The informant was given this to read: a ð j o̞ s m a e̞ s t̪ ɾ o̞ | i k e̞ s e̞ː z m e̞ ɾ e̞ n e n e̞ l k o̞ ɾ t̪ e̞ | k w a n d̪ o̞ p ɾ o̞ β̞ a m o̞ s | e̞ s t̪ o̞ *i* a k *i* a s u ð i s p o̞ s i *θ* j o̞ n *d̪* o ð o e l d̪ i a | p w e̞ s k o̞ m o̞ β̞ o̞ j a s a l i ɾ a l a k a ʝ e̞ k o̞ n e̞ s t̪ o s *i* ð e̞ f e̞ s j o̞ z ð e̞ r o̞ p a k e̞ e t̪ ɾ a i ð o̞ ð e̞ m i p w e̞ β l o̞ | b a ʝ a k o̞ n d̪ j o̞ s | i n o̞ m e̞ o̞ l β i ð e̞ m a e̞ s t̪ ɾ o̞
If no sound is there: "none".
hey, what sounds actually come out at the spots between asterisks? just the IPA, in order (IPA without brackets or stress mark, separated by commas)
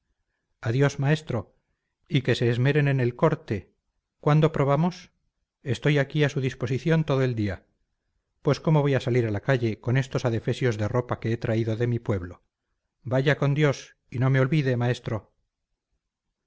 j, i, θ, t̪, a